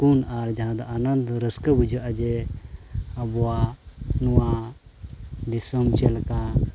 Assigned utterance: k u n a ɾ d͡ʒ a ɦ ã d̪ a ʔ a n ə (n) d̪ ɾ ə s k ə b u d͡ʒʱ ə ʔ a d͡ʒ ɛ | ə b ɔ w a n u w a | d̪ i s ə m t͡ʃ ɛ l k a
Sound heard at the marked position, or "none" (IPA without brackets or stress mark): n